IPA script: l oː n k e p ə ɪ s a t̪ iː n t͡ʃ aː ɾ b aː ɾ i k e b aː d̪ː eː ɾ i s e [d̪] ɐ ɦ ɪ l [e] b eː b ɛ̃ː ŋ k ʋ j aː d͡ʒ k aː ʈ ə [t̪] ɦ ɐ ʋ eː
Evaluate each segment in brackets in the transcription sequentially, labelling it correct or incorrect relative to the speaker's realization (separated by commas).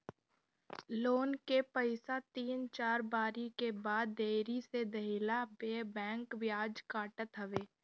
correct, incorrect, correct